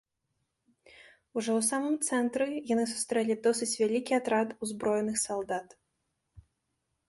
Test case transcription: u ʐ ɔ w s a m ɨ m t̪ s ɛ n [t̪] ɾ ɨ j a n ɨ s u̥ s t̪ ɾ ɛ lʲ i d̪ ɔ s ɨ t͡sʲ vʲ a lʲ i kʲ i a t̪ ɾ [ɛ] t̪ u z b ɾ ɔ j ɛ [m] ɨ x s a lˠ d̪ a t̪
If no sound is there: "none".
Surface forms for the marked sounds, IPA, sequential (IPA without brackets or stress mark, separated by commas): t̪, a, n